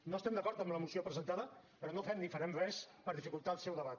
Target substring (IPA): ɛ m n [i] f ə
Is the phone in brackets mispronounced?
no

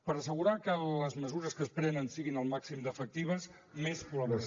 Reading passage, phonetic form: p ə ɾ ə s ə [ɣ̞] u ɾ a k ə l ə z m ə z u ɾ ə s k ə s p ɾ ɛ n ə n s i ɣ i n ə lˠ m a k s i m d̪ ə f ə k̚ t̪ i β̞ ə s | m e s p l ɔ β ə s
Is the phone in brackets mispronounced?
no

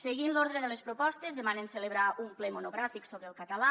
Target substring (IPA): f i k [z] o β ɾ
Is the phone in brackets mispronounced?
yes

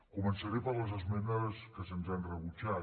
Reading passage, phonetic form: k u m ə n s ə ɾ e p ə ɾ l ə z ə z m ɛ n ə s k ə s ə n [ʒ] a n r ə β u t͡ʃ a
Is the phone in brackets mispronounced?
yes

